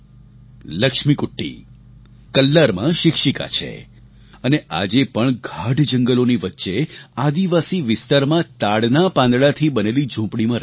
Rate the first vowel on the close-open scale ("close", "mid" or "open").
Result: mid